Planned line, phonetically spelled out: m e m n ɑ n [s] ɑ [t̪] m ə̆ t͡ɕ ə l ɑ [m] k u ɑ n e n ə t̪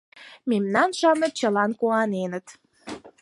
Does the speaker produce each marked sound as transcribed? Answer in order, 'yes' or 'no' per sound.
no, no, no

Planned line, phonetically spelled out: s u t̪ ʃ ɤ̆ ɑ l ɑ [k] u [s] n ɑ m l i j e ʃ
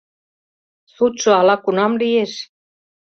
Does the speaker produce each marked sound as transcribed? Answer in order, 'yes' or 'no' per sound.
yes, no

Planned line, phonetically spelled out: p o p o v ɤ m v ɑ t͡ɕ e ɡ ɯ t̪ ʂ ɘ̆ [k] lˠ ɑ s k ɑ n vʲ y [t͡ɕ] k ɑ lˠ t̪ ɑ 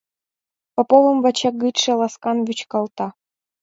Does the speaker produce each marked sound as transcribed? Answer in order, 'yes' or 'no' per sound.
no, yes

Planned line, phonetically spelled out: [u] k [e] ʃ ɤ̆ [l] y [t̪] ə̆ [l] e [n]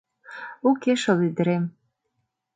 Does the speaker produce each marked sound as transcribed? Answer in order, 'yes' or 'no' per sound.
yes, yes, yes, no, no, no

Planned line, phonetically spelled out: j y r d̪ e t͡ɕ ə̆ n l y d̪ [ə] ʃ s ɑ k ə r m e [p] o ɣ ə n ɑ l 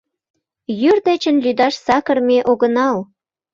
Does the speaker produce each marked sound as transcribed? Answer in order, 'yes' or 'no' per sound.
no, no

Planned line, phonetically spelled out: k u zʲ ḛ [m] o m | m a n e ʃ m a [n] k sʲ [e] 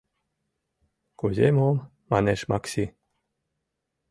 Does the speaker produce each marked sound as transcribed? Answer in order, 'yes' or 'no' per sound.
yes, no, no

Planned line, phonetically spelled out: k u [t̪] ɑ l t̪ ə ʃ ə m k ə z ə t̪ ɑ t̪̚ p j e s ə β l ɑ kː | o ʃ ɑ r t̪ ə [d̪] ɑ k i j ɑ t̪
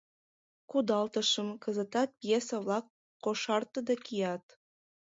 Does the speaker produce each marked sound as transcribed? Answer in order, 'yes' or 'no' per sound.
no, yes

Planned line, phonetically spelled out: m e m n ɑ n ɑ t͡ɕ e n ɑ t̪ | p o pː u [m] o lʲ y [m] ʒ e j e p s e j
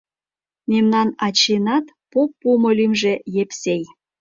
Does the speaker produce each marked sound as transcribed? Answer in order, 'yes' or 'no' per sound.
yes, yes

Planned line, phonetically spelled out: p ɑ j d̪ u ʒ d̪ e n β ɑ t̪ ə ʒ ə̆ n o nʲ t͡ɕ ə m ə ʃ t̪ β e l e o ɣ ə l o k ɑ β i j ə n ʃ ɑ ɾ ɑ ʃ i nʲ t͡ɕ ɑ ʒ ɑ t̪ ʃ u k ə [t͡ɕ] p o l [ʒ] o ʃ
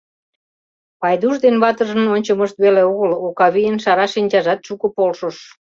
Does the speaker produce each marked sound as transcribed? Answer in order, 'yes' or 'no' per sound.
no, no

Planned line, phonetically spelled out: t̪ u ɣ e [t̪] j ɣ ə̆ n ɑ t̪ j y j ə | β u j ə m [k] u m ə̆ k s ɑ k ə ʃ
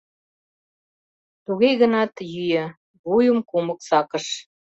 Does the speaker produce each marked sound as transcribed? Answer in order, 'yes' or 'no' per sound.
no, yes

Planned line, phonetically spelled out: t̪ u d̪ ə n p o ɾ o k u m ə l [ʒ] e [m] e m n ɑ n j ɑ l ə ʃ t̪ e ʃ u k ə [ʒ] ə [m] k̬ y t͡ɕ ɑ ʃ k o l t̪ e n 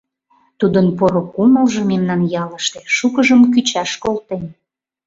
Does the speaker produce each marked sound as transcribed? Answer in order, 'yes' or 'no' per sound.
yes, yes, yes, yes

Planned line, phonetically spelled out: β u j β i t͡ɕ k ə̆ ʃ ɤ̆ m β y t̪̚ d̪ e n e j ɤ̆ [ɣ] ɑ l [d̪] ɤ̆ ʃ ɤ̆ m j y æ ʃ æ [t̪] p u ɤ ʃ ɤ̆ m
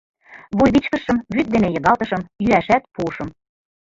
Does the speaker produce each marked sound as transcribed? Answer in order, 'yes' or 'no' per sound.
yes, no, yes

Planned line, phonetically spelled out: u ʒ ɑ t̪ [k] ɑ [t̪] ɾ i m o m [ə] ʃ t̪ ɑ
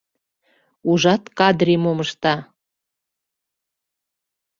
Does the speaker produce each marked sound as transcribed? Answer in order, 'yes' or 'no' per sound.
yes, no, yes

